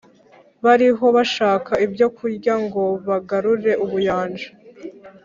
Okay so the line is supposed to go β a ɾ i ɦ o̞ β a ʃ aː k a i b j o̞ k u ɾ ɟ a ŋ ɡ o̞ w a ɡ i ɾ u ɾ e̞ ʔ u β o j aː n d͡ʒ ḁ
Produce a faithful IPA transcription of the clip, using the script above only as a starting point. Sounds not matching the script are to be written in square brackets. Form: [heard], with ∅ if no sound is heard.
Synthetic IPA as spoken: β a ɾ i ɦ o̞ β a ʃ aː k a i b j o̞ k u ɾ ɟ a ŋ ɡ o̞ [β] a ɡ [a] ɾ u ɾ e̞ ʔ u β [u] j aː n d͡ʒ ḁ